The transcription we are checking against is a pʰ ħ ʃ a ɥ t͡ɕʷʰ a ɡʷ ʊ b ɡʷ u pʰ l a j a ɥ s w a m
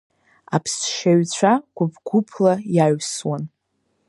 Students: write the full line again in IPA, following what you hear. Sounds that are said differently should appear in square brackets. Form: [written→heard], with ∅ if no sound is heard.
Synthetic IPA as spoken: a pʰ [ħ→s] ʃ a ɥ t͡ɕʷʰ a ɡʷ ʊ b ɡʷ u pʰ l a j a ɥ s w a [m→n]